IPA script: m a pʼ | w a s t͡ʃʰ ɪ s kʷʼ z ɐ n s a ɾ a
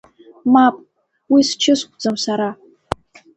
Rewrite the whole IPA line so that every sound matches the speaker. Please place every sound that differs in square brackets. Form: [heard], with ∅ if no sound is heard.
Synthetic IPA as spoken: m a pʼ | w [i] s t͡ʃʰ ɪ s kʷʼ [d͡z] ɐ [m] s a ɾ a